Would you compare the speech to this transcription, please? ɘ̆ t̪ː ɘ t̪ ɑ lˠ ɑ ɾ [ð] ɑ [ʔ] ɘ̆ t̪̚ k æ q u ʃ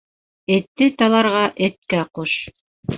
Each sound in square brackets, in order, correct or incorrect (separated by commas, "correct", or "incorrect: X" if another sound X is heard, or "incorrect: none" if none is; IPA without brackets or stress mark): incorrect: ʁ, correct